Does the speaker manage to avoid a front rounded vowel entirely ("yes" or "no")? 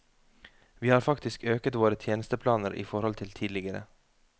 no